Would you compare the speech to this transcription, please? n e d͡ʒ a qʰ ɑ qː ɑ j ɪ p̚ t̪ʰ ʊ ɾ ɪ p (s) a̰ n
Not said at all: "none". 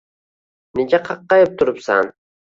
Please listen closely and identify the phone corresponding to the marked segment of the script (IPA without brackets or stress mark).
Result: s